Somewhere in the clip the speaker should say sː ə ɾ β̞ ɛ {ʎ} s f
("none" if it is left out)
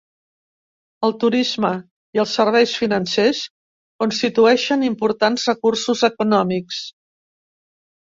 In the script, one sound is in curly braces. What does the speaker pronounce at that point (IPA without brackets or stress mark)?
j